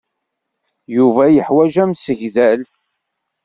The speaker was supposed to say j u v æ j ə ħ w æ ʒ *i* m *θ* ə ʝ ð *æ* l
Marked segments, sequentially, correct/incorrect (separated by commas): incorrect, incorrect, correct